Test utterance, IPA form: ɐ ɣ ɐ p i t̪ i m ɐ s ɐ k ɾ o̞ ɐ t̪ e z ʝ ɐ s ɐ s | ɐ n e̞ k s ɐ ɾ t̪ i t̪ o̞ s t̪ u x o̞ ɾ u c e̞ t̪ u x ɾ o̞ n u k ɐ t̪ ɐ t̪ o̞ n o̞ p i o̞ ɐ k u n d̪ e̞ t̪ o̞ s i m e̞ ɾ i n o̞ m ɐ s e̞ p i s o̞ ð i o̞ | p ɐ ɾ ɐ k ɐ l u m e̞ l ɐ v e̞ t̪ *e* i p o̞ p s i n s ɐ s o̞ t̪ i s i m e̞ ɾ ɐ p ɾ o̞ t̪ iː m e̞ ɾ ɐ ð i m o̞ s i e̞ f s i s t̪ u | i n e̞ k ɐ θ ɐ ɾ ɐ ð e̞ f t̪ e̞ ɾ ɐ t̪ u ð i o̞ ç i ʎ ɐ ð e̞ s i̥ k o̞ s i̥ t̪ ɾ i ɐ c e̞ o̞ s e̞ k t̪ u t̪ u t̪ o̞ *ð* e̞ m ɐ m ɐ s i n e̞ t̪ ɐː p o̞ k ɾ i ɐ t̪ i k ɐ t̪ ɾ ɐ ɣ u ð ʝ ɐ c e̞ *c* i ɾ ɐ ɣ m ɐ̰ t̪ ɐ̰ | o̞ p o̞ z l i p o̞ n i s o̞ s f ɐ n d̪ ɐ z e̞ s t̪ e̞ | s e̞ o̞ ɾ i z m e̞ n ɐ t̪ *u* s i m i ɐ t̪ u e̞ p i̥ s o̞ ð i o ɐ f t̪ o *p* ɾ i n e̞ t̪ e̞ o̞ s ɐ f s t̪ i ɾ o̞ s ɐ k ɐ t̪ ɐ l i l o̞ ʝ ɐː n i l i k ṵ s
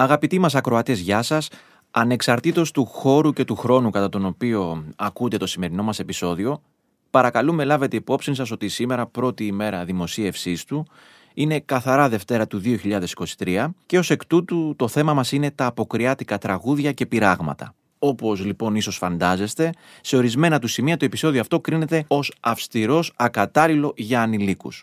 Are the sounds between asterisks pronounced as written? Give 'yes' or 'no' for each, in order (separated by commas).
yes, no, no, yes, no